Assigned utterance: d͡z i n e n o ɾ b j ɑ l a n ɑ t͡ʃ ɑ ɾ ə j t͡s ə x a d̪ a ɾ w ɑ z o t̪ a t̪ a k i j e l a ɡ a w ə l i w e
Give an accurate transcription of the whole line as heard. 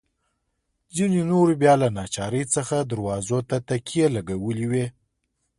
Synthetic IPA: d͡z i n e n o ɾ b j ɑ l a n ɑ t͡ʃ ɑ ɾ ə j t͡s ə x a d̪ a ɾ w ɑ z o t̪ a t̪ a k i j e l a ɡ a w ə l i w e